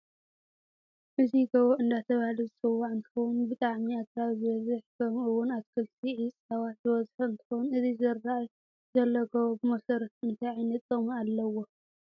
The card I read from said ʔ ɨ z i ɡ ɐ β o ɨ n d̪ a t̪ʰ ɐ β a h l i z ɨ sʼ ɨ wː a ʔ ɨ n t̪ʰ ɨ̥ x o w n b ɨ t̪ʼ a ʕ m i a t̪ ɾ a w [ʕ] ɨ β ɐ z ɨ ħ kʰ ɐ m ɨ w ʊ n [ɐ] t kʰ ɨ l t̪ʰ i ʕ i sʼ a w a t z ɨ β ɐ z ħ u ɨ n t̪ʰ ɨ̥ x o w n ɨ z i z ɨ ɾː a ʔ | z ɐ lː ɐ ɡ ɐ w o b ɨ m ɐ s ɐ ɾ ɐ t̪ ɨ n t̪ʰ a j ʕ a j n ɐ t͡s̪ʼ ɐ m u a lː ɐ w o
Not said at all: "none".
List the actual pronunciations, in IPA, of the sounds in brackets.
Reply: z, a

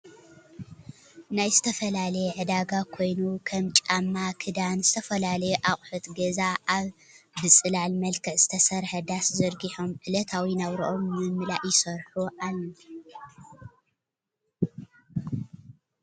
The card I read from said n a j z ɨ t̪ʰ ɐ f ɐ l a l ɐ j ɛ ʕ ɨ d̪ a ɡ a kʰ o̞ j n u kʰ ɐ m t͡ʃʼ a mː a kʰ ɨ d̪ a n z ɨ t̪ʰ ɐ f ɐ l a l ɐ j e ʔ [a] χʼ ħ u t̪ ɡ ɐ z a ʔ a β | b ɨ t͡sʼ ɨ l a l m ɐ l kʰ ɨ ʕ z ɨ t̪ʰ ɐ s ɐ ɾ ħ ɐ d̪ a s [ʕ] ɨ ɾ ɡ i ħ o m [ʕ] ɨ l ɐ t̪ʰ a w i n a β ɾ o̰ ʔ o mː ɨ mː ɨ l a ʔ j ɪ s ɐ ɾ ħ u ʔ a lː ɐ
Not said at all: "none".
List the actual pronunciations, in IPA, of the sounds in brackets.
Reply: a, z, ʕ

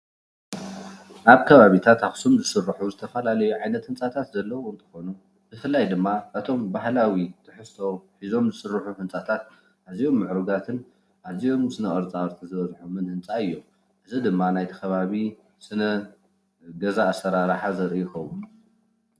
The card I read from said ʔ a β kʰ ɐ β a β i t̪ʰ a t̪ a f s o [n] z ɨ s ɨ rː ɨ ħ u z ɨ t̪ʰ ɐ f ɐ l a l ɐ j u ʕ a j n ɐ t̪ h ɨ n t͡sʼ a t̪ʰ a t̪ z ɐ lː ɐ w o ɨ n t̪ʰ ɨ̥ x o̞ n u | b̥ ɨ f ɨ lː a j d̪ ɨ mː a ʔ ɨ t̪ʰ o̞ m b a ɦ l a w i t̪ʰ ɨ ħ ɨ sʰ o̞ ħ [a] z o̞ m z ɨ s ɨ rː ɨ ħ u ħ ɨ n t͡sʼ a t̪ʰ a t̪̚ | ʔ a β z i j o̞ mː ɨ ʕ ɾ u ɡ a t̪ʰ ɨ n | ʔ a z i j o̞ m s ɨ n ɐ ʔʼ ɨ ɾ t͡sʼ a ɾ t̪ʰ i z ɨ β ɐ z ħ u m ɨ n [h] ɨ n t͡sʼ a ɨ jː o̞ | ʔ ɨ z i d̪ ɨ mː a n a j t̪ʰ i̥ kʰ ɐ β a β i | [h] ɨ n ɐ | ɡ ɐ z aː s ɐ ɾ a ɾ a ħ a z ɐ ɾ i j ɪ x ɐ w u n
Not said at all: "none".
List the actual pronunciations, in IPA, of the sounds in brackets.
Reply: m, i, h, s

